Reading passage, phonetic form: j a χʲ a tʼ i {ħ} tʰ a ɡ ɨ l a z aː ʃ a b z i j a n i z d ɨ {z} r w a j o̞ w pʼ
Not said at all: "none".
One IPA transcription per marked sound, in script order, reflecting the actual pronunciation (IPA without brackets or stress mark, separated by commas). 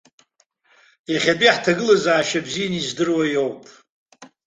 ħ, none